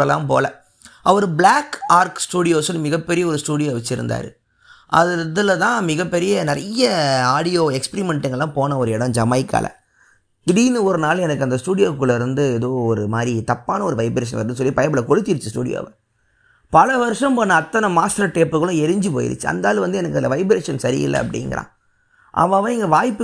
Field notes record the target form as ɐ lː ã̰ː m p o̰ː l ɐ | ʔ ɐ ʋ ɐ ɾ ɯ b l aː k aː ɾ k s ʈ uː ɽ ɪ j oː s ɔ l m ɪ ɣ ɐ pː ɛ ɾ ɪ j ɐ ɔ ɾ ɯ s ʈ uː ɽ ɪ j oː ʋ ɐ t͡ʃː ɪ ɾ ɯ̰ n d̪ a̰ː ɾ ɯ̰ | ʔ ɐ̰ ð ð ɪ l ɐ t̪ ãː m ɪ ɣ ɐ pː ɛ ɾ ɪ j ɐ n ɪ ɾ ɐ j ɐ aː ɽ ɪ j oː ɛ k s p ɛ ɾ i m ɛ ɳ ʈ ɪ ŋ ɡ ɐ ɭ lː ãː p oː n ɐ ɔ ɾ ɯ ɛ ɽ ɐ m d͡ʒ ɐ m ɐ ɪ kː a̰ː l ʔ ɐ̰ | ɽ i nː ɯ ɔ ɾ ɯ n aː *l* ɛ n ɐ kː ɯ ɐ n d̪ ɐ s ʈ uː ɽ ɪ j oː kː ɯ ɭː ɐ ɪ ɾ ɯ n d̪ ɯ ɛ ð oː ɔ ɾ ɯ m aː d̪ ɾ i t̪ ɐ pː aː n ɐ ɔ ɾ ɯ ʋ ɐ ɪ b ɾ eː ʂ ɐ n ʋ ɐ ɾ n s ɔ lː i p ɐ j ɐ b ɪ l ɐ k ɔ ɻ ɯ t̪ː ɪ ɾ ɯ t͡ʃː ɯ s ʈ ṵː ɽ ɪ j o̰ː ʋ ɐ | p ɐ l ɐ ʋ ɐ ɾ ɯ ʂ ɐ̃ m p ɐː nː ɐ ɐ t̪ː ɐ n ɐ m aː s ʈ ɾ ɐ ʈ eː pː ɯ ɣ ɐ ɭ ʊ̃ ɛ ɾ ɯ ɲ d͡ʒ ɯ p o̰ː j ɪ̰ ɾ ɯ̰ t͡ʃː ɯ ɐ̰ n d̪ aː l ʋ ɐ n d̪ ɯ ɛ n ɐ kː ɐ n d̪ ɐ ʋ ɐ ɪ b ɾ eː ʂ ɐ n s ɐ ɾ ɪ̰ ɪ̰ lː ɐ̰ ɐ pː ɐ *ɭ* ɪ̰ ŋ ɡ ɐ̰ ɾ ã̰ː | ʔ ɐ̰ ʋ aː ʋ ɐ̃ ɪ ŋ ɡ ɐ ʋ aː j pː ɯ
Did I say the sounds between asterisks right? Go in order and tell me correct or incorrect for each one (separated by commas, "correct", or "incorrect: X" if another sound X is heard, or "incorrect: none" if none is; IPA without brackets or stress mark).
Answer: correct, incorrect: ɽ